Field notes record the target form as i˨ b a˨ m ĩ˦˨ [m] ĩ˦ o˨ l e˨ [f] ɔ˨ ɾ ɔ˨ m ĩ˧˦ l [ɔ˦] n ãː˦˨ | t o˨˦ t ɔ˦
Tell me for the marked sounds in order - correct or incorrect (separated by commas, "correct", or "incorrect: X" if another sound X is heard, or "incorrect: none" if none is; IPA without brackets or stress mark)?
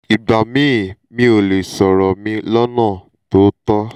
correct, incorrect: s, correct